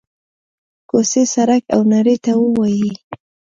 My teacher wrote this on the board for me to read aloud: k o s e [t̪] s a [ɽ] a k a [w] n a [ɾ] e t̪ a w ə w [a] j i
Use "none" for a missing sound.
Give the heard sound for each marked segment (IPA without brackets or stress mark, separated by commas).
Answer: none, ɾ, w, ɾ, a